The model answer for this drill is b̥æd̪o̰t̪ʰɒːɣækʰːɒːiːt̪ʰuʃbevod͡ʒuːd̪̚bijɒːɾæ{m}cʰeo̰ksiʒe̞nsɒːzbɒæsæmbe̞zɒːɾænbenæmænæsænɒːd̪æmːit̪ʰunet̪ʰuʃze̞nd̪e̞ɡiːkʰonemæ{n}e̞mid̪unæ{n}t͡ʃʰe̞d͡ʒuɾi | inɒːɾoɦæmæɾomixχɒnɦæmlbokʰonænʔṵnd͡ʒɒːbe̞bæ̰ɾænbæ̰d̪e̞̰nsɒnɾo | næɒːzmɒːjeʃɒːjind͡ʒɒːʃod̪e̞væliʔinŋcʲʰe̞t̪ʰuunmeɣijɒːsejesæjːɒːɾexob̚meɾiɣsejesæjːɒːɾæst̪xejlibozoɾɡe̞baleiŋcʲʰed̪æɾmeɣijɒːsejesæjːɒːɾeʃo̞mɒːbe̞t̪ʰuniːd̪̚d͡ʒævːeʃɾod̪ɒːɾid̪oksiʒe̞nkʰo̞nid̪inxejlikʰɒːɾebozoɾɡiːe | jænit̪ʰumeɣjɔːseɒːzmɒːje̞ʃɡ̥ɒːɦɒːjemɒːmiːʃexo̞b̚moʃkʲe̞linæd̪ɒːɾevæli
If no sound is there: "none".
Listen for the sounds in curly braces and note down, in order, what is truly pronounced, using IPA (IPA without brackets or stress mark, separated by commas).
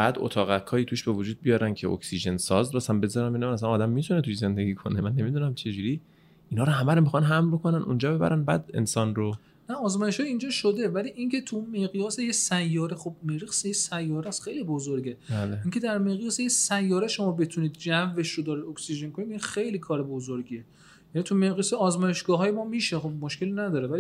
n, nː, m